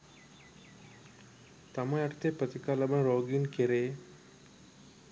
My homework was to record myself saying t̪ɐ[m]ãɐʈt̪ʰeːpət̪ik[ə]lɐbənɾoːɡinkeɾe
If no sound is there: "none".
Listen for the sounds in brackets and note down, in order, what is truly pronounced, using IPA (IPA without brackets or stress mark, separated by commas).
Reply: m, a